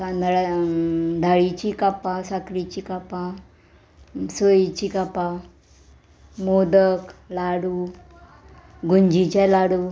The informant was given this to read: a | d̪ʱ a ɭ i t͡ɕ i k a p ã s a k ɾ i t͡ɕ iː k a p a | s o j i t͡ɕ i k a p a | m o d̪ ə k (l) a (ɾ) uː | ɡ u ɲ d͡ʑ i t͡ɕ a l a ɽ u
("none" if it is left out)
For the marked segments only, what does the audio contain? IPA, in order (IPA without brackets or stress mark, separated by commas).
l, ɽ